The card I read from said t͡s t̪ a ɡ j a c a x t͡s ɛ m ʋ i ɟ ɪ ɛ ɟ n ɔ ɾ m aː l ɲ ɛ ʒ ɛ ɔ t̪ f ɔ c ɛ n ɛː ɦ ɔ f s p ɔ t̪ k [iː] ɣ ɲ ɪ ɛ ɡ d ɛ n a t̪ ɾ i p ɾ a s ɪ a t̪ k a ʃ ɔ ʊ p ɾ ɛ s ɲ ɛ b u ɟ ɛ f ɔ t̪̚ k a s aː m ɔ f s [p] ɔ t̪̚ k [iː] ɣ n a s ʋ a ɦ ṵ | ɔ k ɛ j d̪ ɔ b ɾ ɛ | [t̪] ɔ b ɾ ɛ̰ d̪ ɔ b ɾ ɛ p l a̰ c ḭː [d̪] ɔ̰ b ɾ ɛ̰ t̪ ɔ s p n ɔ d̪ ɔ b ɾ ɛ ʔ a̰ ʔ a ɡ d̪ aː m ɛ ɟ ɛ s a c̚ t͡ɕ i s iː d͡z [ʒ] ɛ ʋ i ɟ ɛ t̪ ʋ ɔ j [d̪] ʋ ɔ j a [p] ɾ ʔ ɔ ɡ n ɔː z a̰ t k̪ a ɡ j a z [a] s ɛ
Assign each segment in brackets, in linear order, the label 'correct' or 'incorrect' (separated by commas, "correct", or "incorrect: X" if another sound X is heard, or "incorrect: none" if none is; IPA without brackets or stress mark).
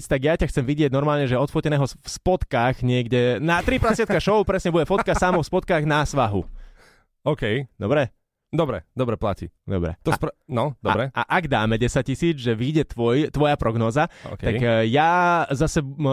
incorrect: aː, correct, incorrect: aː, incorrect: d̪, correct, correct, incorrect: t̪, correct, correct